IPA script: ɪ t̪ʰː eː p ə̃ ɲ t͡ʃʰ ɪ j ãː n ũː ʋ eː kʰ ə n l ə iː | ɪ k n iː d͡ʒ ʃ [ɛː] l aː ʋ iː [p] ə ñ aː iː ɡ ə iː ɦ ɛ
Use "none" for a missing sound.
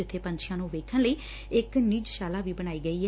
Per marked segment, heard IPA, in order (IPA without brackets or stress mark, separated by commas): aː, b